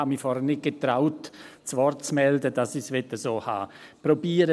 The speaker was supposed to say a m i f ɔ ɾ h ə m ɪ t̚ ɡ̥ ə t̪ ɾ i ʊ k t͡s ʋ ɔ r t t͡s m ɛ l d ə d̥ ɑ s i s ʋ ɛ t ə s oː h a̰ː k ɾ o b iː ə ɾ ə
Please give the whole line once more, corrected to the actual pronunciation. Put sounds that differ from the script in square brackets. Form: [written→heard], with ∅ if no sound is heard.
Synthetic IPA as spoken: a m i f ɔ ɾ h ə [m→n] ɪ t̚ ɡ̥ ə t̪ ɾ [i→a] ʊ [k→t] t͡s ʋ ɔ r t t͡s m ɛ l d ə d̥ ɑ s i s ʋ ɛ t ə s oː h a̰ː [k→p] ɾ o b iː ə ɾ ə